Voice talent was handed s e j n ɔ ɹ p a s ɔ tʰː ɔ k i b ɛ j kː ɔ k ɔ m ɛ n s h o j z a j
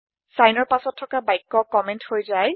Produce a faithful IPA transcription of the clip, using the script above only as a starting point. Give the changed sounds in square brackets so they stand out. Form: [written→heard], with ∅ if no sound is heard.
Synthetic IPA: s [e→a] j n ɔ ɹ p a s ɔ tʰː ɔ k [i→a] b [ɛ→a] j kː ɔ k ɔ m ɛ n [s→t] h o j z a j